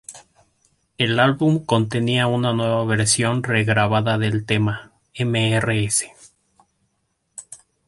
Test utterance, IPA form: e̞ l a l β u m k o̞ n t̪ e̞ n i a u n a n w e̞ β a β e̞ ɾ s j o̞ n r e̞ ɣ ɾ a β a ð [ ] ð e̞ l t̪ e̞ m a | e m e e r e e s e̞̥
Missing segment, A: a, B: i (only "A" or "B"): A